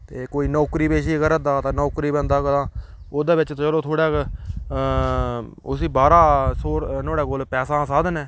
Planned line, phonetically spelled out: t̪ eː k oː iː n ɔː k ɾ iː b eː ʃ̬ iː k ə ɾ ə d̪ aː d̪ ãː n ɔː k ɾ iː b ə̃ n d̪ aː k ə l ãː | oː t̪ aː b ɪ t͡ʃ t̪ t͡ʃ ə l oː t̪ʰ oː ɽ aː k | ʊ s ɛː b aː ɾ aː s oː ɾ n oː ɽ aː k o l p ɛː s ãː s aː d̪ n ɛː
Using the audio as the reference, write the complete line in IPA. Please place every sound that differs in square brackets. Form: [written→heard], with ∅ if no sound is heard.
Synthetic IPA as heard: t̪ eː k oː iː n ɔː k ɾ iː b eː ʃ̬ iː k ə ɾ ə d̪ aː [d̪→t̪] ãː n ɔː k ɾ iː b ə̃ n d̪ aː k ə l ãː | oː [t̪→d̪] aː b ɪ t͡ʃ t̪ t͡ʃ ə l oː t̪ʰ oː ɽ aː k | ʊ s [ɛː→iː] b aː ɾ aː s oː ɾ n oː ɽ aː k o l p ɛː s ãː s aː d̪ n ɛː

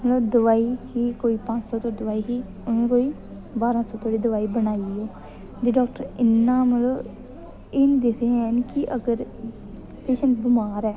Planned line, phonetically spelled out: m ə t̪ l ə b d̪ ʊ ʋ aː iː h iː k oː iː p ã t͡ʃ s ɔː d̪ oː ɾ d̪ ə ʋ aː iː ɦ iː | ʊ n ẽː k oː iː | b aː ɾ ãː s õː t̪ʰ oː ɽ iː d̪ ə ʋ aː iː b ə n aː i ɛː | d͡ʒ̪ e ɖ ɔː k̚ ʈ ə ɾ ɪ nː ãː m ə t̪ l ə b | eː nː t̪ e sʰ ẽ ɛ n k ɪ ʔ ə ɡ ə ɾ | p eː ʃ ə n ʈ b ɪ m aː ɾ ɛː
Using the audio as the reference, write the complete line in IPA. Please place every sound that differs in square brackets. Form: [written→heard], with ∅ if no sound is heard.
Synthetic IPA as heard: m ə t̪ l ə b d̪ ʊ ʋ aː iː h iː k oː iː p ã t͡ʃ s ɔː [d̪→t̪] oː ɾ d̪ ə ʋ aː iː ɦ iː | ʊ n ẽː k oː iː | b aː ɾ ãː s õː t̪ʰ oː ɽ iː d̪ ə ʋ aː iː b ə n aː i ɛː | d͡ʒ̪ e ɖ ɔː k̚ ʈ ə ɾ ɪ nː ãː m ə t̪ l ə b | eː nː [t̪→d̪] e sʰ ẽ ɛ n k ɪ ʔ ə ɡ ə ɾ | p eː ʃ ə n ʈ b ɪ m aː ɾ ɛː

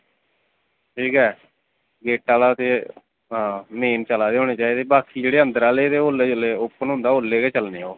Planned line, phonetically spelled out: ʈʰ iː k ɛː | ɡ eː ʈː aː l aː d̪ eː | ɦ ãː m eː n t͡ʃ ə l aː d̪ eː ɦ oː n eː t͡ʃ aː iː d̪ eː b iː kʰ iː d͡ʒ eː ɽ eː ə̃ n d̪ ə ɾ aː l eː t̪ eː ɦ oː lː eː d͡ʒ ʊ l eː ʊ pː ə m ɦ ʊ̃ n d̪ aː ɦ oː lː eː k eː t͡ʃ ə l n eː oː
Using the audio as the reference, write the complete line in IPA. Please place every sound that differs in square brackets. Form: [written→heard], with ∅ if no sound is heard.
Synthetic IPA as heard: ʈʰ iː k ɛː | ɡ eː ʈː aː l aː [d̪→t̪] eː | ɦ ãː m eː n t͡ʃ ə l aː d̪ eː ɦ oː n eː t͡ʃ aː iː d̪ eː b [iː→aː] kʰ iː d͡ʒ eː ɽ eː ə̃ n d̪ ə ɾ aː l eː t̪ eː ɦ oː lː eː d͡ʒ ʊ l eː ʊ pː ə [m→n] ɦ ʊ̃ n d̪ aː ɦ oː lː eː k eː t͡ʃ ə l n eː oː

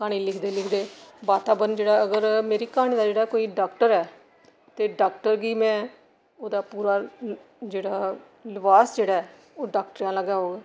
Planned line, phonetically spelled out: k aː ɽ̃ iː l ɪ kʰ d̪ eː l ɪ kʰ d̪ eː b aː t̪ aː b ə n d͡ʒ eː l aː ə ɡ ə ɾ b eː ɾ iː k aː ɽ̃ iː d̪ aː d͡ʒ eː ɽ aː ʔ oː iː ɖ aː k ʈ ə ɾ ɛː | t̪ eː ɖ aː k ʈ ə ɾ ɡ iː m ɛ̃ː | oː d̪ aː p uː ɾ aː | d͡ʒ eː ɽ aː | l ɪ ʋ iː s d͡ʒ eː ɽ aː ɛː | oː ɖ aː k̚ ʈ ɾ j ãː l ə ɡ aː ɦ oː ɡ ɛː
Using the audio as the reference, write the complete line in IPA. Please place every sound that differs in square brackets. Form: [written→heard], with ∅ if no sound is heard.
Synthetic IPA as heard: k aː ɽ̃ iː l ɪ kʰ d̪ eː l ɪ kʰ d̪ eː b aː t̪ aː b ə n d͡ʒ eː [l→ɽ] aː ə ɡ ə ɾ [b→m] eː ɾ iː k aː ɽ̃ iː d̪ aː d͡ʒ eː ɽ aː [ʔ→k] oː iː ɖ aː k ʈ ə ɾ ɛː | t̪ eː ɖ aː k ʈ ə ɾ ɡ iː m ɛ̃ː | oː d̪ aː p uː ɾ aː | d͡ʒ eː ɽ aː | l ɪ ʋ [iː→aː] s d͡ʒ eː ɽ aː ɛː | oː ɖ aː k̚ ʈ ɾ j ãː l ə ɡ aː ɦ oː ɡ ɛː

